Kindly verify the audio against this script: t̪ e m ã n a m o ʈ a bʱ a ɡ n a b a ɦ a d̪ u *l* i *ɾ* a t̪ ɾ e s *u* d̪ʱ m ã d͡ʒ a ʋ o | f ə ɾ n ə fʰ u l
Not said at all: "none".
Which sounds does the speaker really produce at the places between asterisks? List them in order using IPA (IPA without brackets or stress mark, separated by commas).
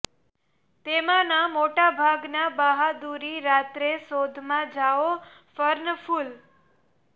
ɾ, ɾ, o